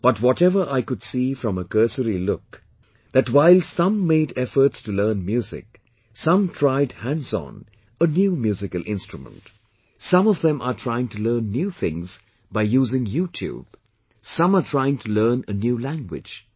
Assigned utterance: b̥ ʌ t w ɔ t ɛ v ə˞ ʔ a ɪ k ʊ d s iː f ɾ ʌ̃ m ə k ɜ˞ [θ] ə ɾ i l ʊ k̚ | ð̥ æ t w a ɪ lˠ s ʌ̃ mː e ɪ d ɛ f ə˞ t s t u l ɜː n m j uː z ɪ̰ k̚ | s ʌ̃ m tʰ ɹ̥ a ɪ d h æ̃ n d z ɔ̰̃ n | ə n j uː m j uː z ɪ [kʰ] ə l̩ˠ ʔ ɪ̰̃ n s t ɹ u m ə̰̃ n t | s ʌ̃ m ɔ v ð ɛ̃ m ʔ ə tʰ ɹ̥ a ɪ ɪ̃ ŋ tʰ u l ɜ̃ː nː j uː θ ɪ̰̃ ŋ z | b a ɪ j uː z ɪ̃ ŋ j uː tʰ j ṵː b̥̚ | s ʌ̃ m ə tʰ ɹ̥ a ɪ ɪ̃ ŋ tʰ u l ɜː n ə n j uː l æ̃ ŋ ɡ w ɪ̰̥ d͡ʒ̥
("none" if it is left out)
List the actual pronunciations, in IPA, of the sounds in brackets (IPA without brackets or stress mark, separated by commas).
s, k